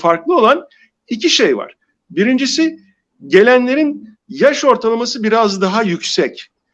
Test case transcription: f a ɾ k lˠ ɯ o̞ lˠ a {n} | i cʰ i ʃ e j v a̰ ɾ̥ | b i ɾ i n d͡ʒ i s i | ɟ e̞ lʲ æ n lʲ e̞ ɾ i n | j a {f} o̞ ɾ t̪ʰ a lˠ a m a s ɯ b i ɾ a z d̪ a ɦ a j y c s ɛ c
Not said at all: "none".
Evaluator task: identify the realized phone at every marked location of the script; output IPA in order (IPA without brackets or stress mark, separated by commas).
n, ʃ